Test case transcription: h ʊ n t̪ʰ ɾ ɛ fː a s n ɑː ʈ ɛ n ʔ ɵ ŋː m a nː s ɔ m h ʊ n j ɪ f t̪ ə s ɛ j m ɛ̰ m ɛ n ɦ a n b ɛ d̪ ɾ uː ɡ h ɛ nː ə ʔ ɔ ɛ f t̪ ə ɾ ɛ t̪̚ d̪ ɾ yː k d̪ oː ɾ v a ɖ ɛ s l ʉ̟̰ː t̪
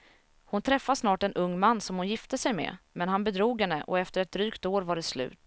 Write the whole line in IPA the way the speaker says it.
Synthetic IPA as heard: h ʊ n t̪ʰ ɾ ɛ fː a s n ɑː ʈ ɛ n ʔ ɵ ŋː m a nː s ɔ m h ʊ n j ɪ f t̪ ə s ɛ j m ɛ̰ m ɛ n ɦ a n b ɛ d̪ ɾ uː ɡ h ɛ nː ə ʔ ɔ ɛ f t̪ ə ɾ ɛ t̪̚ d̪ ɾ yː k t̪ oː ɾ v a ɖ ɛ s l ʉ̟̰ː t̪